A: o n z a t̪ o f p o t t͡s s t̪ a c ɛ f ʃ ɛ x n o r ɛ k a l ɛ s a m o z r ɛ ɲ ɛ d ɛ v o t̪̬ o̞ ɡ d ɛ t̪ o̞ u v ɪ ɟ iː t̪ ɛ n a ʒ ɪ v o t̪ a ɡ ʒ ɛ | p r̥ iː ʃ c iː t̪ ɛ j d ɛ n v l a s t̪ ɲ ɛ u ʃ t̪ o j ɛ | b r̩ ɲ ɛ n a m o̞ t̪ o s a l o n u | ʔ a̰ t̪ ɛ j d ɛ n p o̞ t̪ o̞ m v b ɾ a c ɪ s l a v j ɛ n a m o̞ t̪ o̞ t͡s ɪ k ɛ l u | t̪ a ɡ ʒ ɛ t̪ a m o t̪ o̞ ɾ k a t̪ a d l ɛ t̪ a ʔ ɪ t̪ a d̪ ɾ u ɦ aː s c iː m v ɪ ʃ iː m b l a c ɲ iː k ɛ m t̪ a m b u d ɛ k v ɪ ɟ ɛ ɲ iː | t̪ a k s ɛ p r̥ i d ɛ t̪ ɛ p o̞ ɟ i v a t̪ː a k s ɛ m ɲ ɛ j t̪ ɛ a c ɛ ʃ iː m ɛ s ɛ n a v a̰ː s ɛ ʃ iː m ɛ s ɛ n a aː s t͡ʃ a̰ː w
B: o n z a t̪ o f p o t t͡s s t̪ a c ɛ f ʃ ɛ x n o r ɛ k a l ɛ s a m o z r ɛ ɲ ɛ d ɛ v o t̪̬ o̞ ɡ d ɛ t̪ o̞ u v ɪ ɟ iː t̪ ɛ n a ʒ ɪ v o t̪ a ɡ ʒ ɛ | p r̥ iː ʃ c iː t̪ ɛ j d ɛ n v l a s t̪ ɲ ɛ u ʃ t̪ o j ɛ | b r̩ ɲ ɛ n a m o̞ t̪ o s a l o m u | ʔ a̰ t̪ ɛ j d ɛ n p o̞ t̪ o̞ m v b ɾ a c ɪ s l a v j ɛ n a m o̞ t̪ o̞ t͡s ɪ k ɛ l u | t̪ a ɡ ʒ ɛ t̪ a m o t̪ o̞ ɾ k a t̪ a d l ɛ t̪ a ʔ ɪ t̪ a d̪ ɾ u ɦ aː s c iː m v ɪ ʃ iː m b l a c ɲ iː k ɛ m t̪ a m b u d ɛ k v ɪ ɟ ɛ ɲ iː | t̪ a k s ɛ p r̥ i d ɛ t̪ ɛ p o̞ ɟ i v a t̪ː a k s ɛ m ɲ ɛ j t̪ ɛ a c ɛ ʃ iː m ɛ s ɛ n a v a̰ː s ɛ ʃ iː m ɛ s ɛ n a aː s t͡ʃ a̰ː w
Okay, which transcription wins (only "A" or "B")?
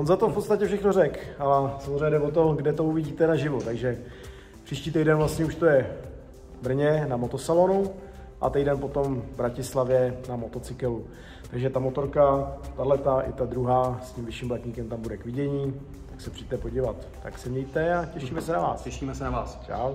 A